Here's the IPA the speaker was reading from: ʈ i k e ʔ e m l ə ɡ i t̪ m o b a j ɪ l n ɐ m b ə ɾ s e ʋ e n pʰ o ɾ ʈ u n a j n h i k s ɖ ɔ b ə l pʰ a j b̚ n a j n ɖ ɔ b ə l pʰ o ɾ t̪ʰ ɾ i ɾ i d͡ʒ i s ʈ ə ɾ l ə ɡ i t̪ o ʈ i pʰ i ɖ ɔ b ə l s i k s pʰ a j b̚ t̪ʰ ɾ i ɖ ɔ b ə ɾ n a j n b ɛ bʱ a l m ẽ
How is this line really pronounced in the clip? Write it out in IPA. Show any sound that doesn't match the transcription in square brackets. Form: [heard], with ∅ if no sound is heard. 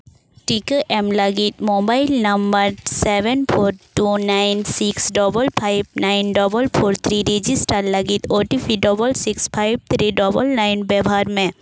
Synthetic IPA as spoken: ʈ i k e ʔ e m l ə ɡ i t̪ m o b a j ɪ l n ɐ m b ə ɾ s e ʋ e n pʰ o ɾ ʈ u n a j n [s] i k s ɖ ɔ b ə l pʰ a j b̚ n a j n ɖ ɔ b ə l pʰ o ɾ t̪ʰ ɾ i ɾ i d͡ʒ i s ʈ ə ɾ l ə ɡ i t̪ o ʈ i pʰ i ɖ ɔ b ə l s i k s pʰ a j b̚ t̪ʰ ɾ i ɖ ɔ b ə [l] n a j n b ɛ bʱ a [ɾ] m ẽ